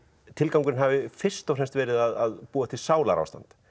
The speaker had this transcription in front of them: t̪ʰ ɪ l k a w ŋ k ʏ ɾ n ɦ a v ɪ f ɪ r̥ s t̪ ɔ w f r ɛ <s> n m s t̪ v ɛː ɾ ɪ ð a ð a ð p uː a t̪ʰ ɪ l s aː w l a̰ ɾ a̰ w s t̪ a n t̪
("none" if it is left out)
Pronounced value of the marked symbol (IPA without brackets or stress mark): none